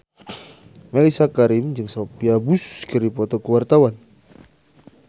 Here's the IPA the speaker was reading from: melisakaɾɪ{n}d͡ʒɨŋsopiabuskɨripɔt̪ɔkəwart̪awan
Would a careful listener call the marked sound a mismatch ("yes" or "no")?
yes